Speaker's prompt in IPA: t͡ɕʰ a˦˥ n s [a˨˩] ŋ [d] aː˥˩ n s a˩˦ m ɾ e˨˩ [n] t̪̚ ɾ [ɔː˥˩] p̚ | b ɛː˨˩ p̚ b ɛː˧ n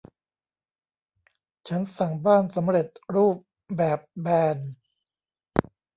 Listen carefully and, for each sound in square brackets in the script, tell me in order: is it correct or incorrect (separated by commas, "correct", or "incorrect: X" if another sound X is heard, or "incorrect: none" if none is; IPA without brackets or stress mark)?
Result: correct, incorrect: b, incorrect: none, incorrect: uː˥˩